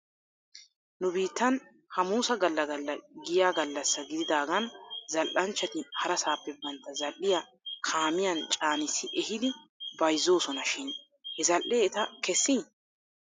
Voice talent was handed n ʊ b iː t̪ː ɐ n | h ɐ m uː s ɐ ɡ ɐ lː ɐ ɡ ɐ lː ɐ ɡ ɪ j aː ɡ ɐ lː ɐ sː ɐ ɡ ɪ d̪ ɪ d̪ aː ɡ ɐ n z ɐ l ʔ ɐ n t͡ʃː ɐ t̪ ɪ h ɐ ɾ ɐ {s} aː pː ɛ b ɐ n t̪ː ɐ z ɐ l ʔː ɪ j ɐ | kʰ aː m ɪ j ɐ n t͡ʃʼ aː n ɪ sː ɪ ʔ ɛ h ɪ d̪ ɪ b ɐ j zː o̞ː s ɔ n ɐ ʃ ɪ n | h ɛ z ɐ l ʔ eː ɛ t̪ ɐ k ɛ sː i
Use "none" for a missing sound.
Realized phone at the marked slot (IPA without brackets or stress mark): s